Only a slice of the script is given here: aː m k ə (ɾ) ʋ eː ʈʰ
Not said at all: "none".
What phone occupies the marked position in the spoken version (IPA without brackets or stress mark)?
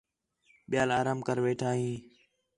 ɾ